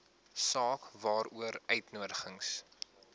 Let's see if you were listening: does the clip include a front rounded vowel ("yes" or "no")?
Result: yes